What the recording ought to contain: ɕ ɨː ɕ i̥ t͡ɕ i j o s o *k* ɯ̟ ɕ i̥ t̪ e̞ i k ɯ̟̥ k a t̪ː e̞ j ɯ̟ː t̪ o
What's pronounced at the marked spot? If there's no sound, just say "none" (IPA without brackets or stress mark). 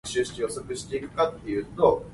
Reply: k